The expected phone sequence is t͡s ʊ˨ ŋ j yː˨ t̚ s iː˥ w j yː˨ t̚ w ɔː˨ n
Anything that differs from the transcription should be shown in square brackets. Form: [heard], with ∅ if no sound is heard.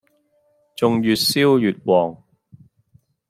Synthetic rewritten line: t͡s ʊ˨ ŋ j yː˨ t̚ s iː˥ w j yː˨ t̚ w ɔː˨ [ŋ]